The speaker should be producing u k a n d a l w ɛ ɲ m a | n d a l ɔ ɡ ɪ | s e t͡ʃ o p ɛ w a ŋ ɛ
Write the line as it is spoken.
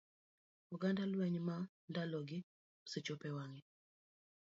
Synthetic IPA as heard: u ɡ a n d a l w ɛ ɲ m a | n d a l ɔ ɡ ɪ | s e t͡ʃ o p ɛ w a ŋ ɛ